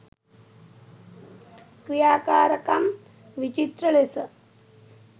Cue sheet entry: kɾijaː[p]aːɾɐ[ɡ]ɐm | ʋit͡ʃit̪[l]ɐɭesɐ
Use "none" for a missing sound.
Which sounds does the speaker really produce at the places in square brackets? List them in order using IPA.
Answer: k, k, ɾ

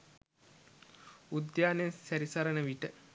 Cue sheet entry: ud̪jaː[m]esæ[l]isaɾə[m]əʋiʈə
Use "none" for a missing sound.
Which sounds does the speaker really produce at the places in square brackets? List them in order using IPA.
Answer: n, ɾ, n

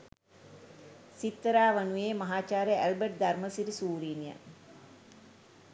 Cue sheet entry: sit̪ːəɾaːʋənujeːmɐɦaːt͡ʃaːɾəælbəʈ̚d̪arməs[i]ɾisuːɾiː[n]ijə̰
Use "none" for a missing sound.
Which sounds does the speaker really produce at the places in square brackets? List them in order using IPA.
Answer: i, n

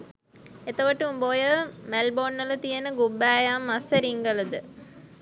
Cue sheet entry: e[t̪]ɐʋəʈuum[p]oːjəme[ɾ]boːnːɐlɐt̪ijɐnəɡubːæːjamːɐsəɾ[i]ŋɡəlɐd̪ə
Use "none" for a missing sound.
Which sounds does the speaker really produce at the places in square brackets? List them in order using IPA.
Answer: t̪, b, l, i

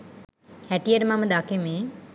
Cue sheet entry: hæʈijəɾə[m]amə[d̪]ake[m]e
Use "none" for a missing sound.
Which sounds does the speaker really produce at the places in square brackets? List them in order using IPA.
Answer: m, d̪, m

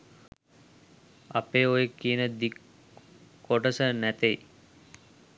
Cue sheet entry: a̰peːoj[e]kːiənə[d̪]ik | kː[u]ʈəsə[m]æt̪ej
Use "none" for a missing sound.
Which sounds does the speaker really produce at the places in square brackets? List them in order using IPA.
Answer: e, d̪, o, n

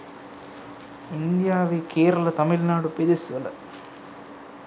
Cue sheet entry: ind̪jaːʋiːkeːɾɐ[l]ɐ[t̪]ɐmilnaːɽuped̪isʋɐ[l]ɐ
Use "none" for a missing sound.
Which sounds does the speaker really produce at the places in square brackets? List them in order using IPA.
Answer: l, t̪, l

